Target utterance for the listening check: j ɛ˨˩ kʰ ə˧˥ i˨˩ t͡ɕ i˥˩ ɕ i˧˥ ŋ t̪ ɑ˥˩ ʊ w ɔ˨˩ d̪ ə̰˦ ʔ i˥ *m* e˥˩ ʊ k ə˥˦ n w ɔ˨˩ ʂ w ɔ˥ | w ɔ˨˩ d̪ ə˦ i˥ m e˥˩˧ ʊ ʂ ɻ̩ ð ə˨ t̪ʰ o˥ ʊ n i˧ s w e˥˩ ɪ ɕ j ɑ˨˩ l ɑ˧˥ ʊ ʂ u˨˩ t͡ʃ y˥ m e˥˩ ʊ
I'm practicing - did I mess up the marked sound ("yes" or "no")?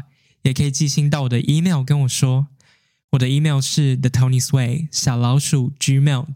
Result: no